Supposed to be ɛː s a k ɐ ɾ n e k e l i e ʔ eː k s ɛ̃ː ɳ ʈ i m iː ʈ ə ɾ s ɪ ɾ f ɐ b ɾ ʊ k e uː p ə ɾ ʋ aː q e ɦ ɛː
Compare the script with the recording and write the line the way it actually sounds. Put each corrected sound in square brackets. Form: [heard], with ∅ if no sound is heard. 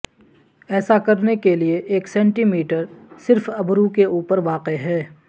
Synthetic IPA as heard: ɛː s a k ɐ ɾ n e k e l i e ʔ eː k s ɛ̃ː ɳ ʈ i m iː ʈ ə ɾ s ɪ ɾ f ɐ b ɾ [u] k e uː p ə ɾ ʋ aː q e ɦ ɛː